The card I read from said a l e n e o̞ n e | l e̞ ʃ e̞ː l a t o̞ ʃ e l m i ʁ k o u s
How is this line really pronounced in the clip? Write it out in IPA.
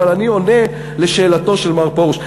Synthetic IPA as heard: a l a n i o̞ n e | l e̞ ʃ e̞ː l a t o̞ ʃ e l m a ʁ p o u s